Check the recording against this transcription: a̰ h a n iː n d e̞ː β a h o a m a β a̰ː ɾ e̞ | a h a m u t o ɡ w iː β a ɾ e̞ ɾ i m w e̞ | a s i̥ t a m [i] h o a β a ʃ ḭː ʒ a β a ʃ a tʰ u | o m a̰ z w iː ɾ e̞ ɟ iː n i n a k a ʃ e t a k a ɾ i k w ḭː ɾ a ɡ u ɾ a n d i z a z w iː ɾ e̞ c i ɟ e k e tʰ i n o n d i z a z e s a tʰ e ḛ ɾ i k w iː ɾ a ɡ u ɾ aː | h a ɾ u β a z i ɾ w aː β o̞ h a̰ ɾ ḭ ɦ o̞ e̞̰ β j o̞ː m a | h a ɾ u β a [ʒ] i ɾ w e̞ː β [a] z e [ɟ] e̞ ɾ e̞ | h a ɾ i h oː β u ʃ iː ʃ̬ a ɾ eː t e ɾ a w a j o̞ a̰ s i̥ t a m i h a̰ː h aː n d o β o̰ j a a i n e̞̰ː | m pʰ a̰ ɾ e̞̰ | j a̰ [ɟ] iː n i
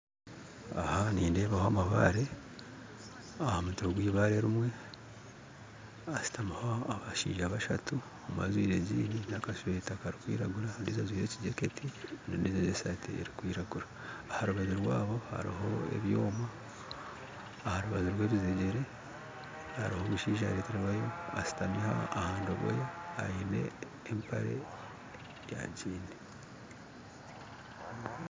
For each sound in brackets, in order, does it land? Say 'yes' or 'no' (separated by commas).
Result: no, no, no, yes, yes